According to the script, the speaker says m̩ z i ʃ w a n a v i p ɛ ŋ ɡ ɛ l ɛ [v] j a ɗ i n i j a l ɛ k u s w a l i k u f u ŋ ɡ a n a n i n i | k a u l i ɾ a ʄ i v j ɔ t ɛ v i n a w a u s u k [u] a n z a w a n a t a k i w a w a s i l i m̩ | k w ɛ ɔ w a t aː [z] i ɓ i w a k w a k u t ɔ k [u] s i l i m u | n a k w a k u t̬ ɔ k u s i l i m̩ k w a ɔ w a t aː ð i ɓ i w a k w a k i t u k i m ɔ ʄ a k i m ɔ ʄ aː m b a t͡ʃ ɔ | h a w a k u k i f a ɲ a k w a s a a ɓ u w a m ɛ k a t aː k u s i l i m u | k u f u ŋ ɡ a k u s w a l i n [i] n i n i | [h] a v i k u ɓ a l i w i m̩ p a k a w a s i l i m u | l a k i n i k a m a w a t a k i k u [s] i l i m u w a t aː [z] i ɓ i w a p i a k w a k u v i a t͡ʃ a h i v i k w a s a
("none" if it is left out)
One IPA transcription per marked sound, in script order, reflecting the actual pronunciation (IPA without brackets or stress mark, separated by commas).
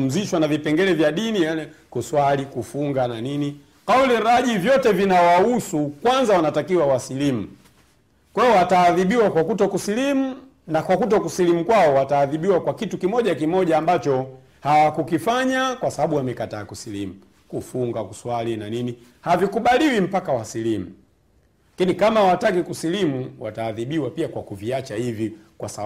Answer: v, w, ð, u, a, h, s, ð